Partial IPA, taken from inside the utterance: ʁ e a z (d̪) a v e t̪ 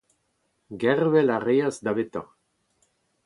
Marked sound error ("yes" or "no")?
no